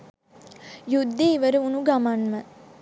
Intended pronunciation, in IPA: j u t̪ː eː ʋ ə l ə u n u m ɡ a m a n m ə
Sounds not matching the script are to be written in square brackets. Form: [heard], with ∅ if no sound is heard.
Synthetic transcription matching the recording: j u [d̪ː] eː ʋ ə [ɾ] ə u n u [∅] ɡ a m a n m ə